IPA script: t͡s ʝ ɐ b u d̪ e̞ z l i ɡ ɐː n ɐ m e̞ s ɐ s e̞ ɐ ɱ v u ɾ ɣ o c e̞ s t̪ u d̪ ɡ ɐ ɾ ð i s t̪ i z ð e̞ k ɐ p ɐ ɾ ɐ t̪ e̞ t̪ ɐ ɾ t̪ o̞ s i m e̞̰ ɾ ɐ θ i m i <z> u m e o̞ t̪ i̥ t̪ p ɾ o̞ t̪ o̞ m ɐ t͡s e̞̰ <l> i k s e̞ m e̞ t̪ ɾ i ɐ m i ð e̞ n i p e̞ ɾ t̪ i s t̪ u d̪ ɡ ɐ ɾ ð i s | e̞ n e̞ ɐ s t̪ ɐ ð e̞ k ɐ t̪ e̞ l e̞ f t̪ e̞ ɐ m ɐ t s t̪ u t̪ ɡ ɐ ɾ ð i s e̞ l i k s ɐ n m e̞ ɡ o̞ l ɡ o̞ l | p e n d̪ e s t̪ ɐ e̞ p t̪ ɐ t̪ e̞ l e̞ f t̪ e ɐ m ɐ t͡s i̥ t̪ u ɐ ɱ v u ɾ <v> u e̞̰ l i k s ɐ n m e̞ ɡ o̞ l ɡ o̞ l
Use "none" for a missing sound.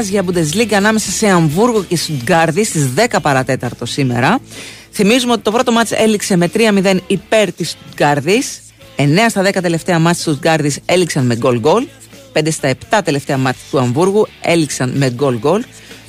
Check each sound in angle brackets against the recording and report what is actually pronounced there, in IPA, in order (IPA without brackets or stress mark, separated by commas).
z, l, ɣ